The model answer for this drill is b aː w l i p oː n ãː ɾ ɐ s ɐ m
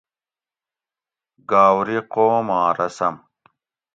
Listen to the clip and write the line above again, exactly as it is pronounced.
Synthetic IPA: ɡ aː w ɾ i q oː m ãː ɾ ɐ s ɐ m